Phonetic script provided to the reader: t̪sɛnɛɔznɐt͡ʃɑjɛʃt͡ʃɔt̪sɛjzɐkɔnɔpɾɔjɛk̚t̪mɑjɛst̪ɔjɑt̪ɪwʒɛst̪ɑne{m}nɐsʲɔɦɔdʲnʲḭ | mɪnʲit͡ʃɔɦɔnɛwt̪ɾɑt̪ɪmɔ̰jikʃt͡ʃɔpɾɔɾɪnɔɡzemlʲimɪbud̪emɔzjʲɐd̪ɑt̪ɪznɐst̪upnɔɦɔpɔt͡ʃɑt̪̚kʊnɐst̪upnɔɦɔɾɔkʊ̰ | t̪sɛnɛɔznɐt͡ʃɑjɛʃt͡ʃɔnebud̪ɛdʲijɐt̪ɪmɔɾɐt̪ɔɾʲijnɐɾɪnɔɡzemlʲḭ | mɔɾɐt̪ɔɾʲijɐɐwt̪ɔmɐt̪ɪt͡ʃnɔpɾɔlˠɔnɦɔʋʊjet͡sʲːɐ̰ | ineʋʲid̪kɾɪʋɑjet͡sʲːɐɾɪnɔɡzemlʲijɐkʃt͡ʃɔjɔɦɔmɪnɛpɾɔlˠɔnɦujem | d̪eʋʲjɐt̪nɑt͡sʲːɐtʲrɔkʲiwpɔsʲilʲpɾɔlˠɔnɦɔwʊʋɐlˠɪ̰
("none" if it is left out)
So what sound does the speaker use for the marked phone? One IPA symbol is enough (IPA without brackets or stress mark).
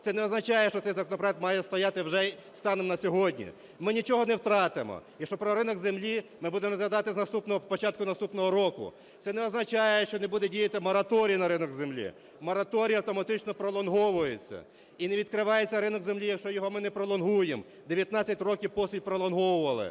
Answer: m